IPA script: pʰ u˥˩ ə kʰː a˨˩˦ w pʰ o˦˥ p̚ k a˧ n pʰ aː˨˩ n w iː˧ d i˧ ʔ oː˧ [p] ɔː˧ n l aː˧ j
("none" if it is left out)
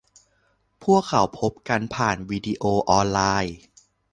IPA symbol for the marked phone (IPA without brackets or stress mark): ʔ